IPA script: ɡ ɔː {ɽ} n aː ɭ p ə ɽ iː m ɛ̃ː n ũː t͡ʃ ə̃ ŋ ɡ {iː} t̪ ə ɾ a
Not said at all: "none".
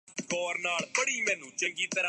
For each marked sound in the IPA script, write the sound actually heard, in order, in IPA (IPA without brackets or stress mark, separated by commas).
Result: ɾ, iː